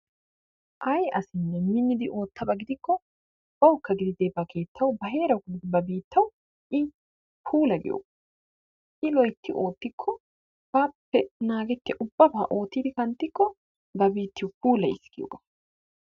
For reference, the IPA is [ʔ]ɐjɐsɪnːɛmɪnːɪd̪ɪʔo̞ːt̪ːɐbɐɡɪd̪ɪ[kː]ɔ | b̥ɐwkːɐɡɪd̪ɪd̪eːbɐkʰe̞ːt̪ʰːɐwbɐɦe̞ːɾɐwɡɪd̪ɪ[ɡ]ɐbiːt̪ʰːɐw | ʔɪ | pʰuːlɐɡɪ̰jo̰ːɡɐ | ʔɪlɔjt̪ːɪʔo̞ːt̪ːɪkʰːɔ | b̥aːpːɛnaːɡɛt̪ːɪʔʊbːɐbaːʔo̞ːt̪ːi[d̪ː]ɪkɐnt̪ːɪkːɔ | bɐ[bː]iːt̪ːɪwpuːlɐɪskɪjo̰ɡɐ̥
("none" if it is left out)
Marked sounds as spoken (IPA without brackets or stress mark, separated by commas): ʔ, kː, b, d̪, b